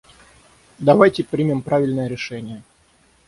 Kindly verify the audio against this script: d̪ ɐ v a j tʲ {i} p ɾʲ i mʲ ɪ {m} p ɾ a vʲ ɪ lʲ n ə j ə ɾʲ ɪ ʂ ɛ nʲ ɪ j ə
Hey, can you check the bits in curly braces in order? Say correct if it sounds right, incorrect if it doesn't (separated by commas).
incorrect, correct